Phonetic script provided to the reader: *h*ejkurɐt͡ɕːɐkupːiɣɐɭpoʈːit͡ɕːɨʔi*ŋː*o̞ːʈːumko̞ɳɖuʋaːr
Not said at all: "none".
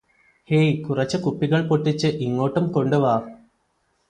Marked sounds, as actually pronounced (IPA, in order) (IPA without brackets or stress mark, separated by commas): h, ŋː